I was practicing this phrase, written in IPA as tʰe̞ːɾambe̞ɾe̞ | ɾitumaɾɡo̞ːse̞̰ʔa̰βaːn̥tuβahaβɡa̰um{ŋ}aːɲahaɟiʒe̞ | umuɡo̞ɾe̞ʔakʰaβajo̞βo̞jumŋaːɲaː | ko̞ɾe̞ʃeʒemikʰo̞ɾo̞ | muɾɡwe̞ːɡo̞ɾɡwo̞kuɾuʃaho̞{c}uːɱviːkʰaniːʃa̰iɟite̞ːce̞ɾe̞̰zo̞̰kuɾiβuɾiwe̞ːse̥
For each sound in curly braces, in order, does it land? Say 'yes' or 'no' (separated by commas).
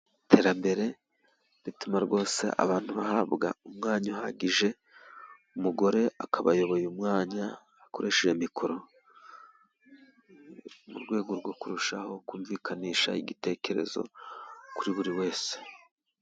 yes, no